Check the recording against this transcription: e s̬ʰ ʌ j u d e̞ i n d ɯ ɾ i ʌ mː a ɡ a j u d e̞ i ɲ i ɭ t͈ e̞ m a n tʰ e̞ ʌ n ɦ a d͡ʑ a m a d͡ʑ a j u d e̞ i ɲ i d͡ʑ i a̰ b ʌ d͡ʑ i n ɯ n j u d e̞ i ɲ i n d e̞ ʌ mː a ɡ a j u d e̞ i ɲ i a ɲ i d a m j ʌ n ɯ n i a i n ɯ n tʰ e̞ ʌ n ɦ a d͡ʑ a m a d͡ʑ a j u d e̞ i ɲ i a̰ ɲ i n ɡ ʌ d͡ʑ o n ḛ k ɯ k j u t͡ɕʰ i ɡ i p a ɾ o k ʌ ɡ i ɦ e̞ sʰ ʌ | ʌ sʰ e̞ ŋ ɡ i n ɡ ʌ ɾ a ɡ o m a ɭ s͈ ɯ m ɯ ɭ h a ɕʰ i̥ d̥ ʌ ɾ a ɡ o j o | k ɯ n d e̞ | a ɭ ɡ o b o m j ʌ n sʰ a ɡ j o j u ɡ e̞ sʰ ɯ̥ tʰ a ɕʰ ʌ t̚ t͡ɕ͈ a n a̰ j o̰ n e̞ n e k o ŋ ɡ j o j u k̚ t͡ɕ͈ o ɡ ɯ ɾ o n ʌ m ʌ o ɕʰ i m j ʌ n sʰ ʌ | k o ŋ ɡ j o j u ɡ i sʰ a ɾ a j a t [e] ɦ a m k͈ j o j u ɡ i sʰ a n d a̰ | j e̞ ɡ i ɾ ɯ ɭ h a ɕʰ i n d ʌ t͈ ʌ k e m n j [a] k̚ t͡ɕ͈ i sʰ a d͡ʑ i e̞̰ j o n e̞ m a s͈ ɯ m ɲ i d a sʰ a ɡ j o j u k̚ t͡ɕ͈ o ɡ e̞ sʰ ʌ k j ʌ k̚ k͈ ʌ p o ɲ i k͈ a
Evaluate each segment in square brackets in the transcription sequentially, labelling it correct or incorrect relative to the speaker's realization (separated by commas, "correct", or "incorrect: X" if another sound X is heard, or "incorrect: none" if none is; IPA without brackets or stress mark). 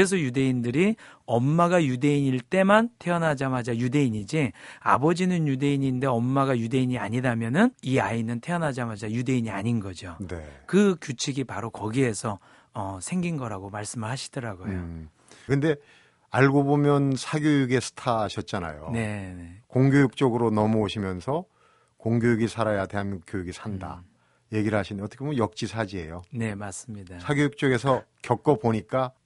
correct, incorrect: ʌ